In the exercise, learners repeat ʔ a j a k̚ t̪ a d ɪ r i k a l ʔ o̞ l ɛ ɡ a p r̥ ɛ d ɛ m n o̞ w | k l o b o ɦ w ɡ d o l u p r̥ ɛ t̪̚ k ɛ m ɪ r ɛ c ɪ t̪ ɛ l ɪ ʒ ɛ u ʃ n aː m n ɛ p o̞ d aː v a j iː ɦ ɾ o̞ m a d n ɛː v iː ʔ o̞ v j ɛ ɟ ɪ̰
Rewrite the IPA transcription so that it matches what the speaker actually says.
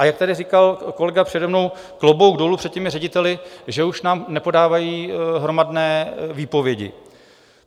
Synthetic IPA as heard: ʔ a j a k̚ t̪ a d ɪ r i k a l k o̞ l ɛ ɡ a p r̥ ɛ d ɛ m n o̞ w | k l o b o w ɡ d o l u p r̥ ɛ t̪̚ c ɛ m ɪ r ɛ ɟ ɪ t̪ ɛ l ɪ ʒ ɛ u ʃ n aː m n ɛ p o̞ d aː v a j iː ɦ ɾ o̞ m a d n ɛː v iː p o̞ v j ɛ ɟ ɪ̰